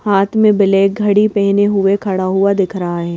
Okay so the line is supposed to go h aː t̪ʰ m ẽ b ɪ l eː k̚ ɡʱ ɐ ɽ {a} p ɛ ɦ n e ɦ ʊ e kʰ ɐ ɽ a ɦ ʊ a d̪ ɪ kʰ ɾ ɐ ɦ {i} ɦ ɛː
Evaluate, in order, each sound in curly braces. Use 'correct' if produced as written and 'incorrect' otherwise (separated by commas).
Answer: incorrect, incorrect